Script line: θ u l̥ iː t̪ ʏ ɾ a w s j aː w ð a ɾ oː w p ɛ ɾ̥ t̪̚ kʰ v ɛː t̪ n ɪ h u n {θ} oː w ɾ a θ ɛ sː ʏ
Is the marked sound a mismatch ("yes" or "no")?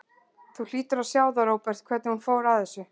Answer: yes